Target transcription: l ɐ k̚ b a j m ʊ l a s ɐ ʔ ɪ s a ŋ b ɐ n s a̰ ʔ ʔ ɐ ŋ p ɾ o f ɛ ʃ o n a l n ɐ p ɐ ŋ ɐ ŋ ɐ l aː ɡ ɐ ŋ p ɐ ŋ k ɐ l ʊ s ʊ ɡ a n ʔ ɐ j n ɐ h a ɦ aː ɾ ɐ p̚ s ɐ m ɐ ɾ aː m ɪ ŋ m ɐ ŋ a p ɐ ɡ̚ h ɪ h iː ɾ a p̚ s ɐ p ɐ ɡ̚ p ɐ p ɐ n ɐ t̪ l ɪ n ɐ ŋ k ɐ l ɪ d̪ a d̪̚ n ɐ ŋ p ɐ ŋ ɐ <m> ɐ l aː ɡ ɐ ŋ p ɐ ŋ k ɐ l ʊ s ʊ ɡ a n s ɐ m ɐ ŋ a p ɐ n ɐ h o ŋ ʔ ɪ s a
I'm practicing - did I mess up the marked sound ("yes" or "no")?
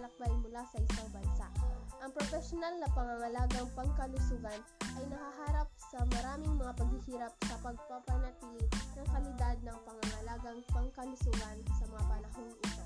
yes